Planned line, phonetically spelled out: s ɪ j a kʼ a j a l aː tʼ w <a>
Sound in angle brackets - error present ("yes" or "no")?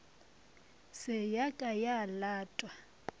no